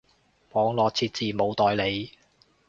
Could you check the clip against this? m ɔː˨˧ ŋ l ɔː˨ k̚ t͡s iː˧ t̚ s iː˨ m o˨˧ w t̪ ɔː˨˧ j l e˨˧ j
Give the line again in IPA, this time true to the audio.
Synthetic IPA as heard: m ɔː˨˧ ŋ l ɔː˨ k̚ t͡sʰ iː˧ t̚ t͡s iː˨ m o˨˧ w t̪ ɔː˨˧ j l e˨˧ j